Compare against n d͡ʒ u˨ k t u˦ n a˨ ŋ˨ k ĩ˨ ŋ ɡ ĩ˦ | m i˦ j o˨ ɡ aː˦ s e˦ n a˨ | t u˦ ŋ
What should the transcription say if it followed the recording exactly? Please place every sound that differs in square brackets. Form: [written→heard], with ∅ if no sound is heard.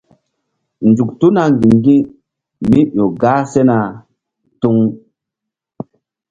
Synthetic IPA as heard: n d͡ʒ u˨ k t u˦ n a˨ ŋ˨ [k→ɡ] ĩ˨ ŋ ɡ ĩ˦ | m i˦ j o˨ ɡ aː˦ s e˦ n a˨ | t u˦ ŋ